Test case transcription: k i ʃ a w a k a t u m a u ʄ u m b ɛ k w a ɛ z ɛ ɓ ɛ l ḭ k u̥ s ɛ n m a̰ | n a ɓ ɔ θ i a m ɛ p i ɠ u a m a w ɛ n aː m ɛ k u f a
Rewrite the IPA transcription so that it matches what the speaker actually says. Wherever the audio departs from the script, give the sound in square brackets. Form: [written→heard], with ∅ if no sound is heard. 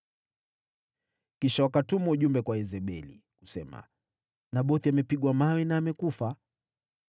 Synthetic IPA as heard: k i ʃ a w a k a t u m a u ʄ u m b ɛ k w a ɛ z ɛ ɓ ɛ l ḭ k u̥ s ɛ [n→∅] m a̰ | n a ɓ ɔ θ i a m ɛ p i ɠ [u→w] a m a w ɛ n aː m ɛ k u f a